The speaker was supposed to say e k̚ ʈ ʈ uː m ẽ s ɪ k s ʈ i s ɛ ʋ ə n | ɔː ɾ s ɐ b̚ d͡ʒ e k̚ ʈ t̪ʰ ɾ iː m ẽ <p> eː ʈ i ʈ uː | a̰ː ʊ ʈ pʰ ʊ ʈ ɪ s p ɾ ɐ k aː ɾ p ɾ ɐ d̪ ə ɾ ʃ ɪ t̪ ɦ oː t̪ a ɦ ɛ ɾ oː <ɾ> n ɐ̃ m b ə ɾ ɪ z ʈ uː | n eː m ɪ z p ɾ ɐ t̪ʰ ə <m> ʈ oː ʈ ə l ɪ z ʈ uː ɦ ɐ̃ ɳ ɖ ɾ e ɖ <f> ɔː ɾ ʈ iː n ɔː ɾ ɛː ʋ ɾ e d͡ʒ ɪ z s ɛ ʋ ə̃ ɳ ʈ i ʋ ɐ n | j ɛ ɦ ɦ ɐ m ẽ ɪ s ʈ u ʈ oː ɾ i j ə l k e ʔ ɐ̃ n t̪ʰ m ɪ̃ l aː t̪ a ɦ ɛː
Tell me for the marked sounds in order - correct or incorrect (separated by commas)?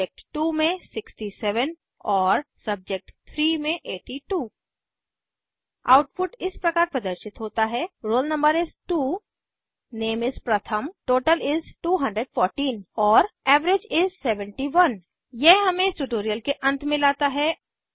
incorrect, incorrect, correct, correct